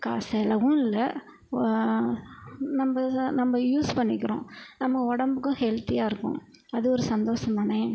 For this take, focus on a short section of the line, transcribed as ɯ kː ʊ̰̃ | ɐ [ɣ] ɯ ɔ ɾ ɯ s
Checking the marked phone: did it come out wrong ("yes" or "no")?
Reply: yes